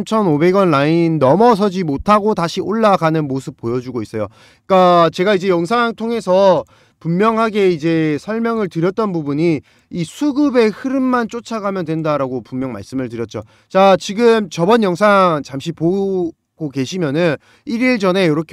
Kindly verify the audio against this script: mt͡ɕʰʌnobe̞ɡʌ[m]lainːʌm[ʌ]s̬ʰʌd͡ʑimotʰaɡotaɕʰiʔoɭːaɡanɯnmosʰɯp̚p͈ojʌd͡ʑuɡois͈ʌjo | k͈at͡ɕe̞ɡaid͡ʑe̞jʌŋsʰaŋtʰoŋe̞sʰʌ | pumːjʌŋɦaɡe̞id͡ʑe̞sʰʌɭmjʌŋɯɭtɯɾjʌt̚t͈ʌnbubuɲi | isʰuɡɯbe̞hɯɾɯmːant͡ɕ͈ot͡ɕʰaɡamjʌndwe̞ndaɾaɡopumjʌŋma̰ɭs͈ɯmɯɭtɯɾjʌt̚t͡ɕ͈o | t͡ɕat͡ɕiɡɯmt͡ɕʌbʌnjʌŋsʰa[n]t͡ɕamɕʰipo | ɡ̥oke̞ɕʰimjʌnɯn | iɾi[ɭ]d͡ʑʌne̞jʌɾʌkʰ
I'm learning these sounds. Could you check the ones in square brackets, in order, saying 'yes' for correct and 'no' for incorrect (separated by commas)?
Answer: no, yes, no, yes